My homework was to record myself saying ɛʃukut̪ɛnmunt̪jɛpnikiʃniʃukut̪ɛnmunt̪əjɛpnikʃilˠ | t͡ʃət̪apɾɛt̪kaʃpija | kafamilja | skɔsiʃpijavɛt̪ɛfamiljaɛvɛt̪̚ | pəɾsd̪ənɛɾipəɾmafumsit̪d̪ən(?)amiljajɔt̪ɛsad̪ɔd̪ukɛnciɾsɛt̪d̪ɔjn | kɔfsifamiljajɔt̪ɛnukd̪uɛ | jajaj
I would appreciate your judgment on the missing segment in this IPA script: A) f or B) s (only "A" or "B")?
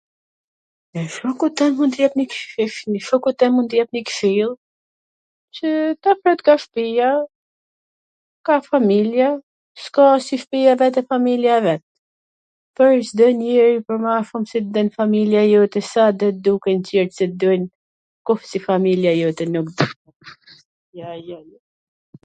A